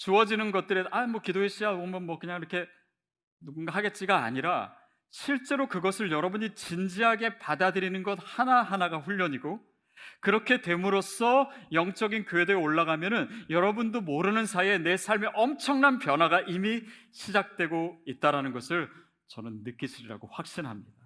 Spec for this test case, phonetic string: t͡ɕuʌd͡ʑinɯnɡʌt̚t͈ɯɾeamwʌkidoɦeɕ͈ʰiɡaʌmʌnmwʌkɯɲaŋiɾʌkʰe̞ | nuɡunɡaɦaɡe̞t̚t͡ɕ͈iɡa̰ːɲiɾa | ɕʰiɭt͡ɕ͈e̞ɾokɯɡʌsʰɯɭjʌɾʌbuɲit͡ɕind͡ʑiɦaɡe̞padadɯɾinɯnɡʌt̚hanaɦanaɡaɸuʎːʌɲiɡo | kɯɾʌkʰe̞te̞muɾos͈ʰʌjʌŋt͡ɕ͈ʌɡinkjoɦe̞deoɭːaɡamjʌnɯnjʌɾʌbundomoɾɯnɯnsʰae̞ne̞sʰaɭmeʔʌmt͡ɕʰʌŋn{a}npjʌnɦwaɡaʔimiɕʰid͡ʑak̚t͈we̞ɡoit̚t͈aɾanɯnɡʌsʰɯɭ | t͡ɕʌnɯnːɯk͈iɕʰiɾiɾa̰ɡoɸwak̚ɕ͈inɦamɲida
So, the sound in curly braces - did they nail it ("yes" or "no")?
yes